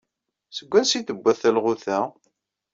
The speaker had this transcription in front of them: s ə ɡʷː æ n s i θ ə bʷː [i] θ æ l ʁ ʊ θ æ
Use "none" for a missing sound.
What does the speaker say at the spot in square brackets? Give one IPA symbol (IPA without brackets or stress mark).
æ